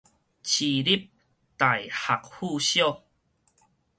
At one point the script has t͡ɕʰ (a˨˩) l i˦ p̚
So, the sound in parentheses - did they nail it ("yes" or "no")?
no